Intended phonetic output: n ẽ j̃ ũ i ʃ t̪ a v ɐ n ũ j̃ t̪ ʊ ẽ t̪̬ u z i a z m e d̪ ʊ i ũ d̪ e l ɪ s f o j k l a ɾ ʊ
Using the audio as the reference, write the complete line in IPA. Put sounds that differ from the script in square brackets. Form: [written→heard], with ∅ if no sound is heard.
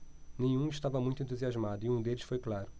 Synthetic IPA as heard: n ẽ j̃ ũ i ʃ t̪ a v ɐ [n→m] ũ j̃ t̪ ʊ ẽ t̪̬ u z i a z m [e→a] d̪ ʊ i ũ d̪ e l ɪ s f o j k l a ɾ ʊ

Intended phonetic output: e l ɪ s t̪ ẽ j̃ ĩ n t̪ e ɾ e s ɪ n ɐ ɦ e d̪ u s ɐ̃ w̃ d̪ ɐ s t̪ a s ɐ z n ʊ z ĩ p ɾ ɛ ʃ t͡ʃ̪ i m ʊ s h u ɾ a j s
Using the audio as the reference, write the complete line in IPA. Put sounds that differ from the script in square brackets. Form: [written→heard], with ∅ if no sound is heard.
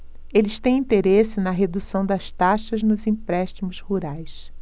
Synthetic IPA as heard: e l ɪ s t̪ ẽ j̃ ĩ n t̪ e ɾ e s ɪ n ɐ ɦ e d̪ u s ɐ̃ w̃ d̪ ɐ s t̪ a [s→ʃ] ɐ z n ʊ z ĩ p ɾ ɛ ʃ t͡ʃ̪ i m ʊ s h u ɾ a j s

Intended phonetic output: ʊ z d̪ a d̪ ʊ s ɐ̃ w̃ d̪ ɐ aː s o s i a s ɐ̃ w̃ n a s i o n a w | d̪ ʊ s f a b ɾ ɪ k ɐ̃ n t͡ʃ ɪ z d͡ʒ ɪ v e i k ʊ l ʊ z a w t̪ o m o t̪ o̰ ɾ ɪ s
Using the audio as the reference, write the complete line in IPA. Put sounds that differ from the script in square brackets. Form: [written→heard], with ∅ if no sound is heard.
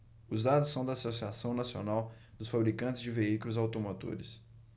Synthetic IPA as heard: ʊ z d̪ a d̪ ʊ s ɐ̃ w̃ d̪ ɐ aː s o s i a s ɐ̃ w̃ n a s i o n a w | d̪ ʊ s f a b ɾ [ɪ→i] k ɐ̃ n t͡ʃ ɪ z d͡ʒ ɪ v e i k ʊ l ʊ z a w t̪ o m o t̪ o̰ ɾ ɪ s

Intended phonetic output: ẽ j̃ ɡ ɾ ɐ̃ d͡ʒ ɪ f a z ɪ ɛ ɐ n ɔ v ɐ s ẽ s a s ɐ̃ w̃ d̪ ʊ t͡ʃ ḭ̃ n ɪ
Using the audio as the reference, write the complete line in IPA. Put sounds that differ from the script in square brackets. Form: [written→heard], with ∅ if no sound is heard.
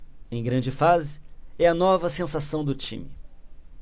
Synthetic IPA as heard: ẽ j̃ ɡ ɾ ɐ̃ d͡ʒ ɪ f a z ɪ ɛ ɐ n ɔ v ɐ s ẽ s a s ɐ̃ w̃ d̪ ʊ t͡ʃ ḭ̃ [n→m] ɪ

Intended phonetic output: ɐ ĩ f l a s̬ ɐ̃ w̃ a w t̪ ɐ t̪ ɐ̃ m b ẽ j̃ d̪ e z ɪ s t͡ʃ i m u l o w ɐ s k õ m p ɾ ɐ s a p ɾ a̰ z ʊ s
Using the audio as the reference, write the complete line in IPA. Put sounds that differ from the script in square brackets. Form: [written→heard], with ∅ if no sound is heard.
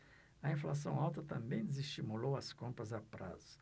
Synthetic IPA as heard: ɐ ĩ f l a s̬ ɐ̃ w̃ a w t̪ ɐ t̪ ɐ̃ m b ẽ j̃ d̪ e z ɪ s t͡ʃ i m u l o w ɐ s k õ m p ɾ ɐ [s→z] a p ɾ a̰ z ʊ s

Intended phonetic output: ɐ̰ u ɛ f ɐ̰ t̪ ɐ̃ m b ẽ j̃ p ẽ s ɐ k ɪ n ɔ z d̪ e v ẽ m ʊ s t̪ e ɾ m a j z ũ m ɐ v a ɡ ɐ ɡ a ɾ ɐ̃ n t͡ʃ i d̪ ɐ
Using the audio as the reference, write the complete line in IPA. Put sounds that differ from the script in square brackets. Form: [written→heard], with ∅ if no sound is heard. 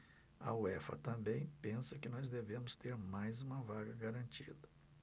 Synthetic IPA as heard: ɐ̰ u ɛ f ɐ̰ t̪ ɐ̃ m b ẽ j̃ p ẽ s ɐ k ɪ n ɔ z d̪ e v ẽ m ʊ s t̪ e ɾ m a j z ũ m ɐ v a ɡ ɐ ɡ a ɾ ɐ̃ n t͡ʃ i d̪ ɐ

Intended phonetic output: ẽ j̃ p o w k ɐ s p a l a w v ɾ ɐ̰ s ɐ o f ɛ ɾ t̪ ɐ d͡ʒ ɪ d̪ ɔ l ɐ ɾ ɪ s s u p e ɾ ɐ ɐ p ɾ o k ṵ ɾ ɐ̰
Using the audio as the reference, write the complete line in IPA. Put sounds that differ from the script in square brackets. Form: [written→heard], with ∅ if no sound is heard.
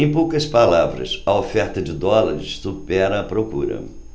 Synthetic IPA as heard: ẽ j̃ p o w k ɐ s p a l a [w→∅] v ɾ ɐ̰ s ɐ o f ɛ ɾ t̪ ɐ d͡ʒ ɪ d̪ ɔ l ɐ ɾ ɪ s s u p [e→ɛ] ɾ ɐ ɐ p ɾ o k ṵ ɾ ɐ̰

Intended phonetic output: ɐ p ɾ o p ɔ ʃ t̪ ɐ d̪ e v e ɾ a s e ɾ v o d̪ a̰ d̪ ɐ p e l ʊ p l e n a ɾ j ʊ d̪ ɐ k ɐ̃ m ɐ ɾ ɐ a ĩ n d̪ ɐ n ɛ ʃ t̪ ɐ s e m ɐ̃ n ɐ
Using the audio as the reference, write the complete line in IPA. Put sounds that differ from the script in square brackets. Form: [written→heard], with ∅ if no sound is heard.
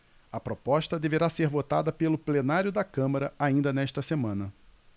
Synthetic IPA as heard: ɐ p ɾ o p ɔ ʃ t̪ ɐ d̪ e v e ɾ a s e ɾ v o [d̪→t̪] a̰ d̪ ɐ p e l ʊ p l e n a ɾ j ʊ d̪ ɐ k ɐ̃ m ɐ ɾ ɐ a ĩ n d̪ ɐ n ɛ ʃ t̪ ɐ s e m ɐ̃ n ɐ

